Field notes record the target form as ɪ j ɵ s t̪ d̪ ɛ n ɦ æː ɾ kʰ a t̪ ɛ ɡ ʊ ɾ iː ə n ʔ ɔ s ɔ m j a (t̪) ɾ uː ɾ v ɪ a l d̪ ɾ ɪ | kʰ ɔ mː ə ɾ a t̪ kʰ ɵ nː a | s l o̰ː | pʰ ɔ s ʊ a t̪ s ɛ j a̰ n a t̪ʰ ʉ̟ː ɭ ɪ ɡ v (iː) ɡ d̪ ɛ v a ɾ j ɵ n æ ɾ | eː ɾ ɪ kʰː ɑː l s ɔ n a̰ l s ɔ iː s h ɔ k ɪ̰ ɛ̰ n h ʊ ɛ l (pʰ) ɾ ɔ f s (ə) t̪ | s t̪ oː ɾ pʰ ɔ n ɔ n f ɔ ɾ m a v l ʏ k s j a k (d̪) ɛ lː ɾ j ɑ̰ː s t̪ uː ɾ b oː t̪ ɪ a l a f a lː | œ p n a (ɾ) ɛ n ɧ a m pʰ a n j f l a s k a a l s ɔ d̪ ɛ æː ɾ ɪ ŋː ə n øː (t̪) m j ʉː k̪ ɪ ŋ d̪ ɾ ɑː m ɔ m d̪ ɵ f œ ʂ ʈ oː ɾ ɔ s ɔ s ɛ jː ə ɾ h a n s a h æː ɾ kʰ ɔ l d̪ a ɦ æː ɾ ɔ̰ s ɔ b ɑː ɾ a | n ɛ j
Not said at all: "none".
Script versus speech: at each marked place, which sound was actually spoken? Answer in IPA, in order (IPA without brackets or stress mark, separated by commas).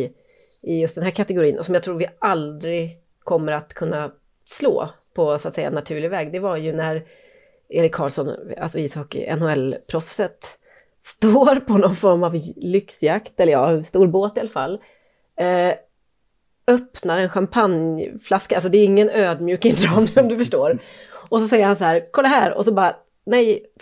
t̪ʰ, ɛː, pʰ, ə, t̪, ɾ, d̪